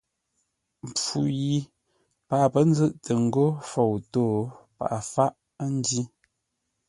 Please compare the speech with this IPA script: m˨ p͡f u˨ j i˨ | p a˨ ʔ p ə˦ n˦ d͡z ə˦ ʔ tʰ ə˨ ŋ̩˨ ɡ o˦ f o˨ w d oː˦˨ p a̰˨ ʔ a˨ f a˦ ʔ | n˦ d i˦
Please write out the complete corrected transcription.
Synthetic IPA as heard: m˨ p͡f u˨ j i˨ | p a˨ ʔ p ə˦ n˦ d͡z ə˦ ʔ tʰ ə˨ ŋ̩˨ ɡ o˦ f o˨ w t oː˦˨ p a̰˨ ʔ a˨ f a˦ ʔ | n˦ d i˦